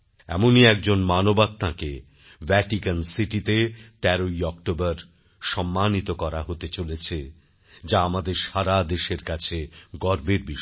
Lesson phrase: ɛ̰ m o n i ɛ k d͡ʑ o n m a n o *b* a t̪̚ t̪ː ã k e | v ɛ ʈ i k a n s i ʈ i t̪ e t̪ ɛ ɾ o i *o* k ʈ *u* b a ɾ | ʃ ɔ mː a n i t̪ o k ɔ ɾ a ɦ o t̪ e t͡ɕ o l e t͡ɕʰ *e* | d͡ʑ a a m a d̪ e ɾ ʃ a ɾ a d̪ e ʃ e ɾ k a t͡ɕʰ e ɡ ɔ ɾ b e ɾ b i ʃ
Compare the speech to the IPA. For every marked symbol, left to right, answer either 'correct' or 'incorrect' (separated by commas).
correct, incorrect, incorrect, correct